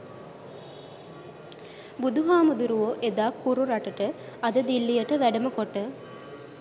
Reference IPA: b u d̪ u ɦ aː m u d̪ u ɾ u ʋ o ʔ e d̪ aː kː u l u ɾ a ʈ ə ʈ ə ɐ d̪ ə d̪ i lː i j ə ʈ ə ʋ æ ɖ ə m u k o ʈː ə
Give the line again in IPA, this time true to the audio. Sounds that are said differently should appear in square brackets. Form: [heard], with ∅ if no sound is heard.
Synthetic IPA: b u d̪ u ɦ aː m u d̪ u ɾ u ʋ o ʔ e d̪ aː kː u [ɾ] u ɾ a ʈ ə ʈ ə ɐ d̪ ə d̪ i lː i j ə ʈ ə ʋ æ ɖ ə m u k o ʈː ə